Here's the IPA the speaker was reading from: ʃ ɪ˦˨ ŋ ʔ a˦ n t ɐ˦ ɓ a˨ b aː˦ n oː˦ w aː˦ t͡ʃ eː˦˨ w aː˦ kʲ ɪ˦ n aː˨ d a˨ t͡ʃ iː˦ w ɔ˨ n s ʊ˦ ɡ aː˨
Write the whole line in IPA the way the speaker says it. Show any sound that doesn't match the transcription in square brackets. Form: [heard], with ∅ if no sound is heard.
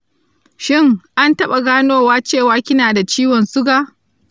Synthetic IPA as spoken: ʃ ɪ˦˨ ŋ ʔ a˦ n t ɐ˦ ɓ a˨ [ɡ] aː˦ n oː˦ w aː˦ t͡ʃ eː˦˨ w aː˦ kʲ ɪ˦ n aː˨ d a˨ t͡ʃ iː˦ w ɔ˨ n s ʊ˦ ɡ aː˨